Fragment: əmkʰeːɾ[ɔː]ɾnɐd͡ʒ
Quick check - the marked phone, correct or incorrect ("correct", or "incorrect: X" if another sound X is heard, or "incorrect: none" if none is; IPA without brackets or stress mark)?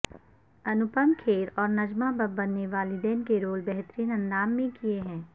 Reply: correct